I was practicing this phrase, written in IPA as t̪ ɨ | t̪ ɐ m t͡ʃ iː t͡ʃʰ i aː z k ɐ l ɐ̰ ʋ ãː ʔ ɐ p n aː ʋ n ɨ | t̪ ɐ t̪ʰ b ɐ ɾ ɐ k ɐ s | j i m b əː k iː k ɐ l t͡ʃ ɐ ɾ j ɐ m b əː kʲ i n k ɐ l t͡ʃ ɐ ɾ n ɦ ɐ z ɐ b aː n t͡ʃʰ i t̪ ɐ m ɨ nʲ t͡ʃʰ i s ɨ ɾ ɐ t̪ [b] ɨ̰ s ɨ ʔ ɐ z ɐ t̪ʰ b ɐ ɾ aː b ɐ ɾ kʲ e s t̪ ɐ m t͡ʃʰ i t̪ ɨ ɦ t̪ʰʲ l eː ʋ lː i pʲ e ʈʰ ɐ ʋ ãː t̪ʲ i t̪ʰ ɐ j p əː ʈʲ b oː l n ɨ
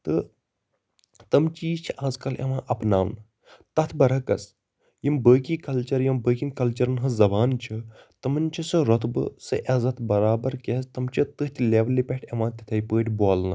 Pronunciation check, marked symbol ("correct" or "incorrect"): correct